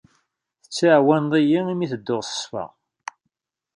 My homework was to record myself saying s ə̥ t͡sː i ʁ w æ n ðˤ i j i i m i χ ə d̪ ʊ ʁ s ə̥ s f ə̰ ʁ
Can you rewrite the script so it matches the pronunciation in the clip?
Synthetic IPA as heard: θ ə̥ t͡sː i ʕ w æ n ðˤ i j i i m i θ ə d̪ː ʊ ʁ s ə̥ s f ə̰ ʁ